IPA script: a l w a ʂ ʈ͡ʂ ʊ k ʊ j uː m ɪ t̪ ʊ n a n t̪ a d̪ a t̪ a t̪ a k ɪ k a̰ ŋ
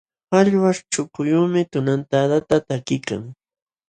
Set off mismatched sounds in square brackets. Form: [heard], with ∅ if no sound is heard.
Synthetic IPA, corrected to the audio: a [ʎ] w a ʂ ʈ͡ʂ ʊ k ʊ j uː m ɪ t̪ ʊ n a n t̪ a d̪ a t̪ a t̪ a k ɪ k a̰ ŋ